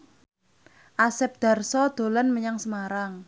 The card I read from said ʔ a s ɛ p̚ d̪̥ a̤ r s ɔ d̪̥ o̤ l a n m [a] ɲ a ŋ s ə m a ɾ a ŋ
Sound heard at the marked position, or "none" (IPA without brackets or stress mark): ə